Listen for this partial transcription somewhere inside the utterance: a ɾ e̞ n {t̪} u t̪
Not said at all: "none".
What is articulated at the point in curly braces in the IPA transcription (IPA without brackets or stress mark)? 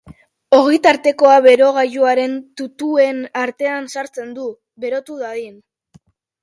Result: t̪